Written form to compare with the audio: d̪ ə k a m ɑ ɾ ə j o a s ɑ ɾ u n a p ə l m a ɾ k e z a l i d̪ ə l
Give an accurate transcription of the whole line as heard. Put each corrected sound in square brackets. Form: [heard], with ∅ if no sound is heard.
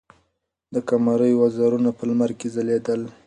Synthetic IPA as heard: d̪ ə k a m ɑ ɾ ə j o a [z] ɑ ɾ u n a p ə l m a ɾ k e z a l [e] d̪ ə l